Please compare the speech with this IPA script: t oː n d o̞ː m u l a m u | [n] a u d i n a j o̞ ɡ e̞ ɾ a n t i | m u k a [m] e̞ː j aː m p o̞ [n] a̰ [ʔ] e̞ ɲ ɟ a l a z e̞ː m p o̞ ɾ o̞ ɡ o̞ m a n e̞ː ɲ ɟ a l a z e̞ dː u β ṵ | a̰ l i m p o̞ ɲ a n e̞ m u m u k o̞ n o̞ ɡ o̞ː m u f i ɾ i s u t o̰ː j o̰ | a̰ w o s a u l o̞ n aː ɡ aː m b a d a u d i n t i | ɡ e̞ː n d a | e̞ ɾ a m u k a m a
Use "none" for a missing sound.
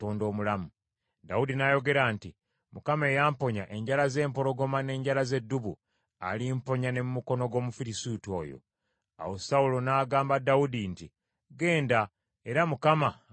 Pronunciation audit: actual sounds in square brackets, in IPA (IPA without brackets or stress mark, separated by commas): d, m, ɲ, ʔ